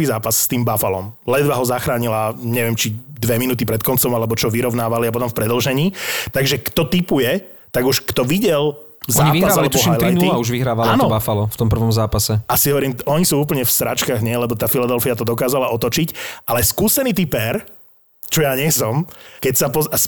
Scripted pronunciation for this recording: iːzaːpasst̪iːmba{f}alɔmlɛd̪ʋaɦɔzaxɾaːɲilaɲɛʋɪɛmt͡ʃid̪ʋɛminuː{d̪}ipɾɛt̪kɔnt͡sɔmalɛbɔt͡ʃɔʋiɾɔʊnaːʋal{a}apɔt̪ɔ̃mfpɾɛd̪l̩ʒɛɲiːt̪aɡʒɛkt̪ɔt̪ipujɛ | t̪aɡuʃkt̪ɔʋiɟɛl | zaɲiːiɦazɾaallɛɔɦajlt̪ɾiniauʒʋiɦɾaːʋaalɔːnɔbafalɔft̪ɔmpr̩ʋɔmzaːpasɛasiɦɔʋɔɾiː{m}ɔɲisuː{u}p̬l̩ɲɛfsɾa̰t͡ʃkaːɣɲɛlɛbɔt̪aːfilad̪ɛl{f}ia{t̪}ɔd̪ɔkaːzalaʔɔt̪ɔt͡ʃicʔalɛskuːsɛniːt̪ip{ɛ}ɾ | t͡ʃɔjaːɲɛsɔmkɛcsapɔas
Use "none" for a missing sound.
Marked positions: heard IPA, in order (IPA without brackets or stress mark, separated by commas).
f, t̪, i, m, uː, f, t̪, ɛ